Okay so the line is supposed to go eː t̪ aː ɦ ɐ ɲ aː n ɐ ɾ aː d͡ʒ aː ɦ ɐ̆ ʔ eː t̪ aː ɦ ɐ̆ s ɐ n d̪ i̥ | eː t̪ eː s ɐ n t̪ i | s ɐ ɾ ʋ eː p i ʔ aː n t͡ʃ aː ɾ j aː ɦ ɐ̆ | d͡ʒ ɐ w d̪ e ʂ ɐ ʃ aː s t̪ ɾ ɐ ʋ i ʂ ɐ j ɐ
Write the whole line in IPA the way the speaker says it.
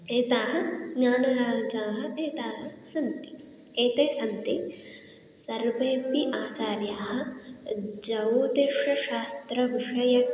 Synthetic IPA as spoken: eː t̪ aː ɦ ɐ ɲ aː n ɐ ɾ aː d͡ʒ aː ɦ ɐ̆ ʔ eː t̪ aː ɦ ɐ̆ s ɐ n t̪ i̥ | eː t̪ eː s ɐ n t̪ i | s ɐ ɾ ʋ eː p i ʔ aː t͡ʃ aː ɾ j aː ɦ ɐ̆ | d͡ʒ ɐ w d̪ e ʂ ɐ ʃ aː s t̪ ɾ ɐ ʋ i ʂ ɐ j ɐ